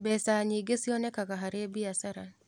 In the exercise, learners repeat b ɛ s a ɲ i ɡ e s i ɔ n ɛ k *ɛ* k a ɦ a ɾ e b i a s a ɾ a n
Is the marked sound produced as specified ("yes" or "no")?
no